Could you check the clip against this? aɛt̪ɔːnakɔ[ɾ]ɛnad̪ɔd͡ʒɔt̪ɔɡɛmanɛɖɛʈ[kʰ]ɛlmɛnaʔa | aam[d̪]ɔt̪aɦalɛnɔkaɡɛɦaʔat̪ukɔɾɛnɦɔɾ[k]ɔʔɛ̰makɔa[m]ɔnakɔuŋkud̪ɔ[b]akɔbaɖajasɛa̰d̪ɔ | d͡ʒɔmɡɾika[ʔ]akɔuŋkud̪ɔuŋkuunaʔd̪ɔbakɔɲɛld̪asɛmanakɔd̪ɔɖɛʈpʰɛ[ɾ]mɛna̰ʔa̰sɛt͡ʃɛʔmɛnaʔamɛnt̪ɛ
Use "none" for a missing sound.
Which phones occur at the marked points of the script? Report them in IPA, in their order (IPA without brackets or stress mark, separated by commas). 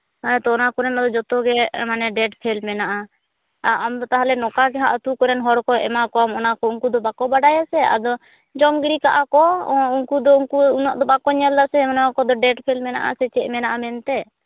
ɾ, pʰ, d̪, k, m, b, ʔ, l